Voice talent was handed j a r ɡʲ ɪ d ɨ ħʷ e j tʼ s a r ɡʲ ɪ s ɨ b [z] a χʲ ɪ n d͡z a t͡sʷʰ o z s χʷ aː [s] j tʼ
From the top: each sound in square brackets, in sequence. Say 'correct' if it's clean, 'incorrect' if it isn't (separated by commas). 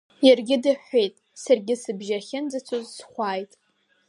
incorrect, incorrect